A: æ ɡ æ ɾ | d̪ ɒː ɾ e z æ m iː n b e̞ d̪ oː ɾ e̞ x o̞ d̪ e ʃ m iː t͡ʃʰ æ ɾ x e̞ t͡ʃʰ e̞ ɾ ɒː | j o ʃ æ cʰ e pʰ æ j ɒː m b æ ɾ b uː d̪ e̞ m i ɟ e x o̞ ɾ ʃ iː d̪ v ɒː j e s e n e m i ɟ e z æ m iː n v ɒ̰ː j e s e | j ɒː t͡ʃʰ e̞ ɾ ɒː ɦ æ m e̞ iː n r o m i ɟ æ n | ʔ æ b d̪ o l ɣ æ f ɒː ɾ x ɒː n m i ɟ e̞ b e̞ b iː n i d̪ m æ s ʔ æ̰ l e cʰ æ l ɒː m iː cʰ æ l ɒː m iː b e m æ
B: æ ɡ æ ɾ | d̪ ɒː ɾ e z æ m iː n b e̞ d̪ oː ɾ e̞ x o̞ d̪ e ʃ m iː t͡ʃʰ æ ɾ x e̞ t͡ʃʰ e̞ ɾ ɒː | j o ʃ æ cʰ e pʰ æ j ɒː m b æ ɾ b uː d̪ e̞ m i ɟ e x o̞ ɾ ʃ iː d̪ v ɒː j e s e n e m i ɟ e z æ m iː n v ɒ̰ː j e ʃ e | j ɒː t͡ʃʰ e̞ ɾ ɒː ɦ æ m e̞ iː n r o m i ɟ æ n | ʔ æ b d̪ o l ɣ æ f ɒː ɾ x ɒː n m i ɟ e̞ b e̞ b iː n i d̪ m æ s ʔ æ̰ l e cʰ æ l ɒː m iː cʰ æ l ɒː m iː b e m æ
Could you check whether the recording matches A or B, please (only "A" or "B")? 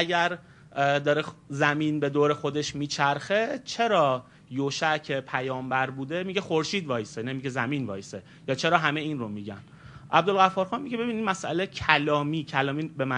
A